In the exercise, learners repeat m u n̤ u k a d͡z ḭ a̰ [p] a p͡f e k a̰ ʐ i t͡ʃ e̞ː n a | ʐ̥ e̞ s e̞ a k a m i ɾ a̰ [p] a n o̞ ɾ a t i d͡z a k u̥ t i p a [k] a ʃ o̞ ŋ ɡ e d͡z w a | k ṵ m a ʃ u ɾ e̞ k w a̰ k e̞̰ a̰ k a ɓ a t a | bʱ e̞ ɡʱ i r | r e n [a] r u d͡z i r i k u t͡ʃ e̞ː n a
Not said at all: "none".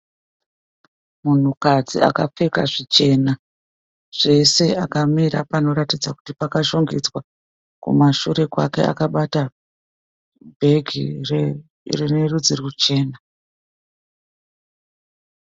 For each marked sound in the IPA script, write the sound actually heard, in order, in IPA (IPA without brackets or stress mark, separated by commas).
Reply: k, p, k, e